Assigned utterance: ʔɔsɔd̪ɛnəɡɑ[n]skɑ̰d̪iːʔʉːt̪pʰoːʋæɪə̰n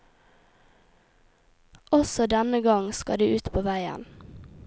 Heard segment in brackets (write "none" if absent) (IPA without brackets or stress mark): ŋ